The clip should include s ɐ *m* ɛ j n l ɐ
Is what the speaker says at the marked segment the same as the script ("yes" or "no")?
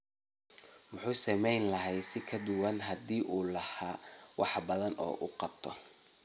yes